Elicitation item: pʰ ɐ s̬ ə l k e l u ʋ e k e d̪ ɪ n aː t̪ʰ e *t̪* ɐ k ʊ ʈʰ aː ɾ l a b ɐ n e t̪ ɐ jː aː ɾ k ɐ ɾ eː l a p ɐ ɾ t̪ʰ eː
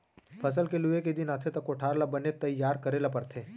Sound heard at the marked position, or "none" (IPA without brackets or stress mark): t̪